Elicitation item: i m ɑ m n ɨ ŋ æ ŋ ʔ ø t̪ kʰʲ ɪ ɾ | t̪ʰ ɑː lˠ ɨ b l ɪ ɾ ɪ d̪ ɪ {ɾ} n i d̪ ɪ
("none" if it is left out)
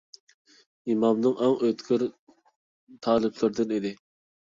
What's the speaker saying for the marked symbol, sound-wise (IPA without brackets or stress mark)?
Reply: none